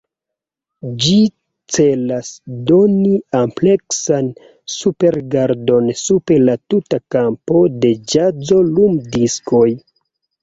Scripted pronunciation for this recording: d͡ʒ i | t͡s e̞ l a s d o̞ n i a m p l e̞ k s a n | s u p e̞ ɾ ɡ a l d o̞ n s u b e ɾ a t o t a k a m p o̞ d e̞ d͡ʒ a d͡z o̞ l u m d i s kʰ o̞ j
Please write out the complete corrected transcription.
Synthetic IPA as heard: d͡ʒ i | t͡s e̞ l a s d o̞ n i a m p l e̞ k s a n | s u p e̞ ɾ ɡ a ɾ d o̞ n s u p e l a t u t a k a m p o̞ d e̞ d͡ʒ a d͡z o̞ l u m d i s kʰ o̞ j